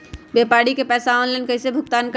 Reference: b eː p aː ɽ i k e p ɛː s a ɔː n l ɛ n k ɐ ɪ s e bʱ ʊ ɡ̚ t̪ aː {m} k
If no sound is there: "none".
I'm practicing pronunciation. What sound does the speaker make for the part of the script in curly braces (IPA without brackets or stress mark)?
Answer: n